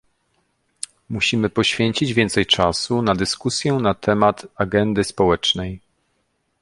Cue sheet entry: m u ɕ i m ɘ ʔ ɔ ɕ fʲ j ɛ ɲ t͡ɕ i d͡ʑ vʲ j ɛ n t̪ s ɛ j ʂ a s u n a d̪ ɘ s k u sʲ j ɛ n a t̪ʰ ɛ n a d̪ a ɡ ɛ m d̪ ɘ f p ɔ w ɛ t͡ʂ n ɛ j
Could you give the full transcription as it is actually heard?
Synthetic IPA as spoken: m u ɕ i m ɘ p ɔ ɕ fʲ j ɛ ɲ t͡ɕ i d͡ʑ vʲ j ɛ n t̪ s ɛ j t͡ʂ a s u n a d̪ ɘ s k u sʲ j ɛ n a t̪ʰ ɛ m a t̪ a ɡ ɛ n d̪ ɘ s p ɔ w ɛ t͡ʂ n ɛ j